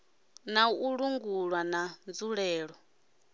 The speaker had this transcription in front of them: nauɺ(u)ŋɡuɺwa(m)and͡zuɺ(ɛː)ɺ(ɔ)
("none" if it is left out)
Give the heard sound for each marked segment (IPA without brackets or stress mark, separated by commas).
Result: u, n, ɛː, ɔ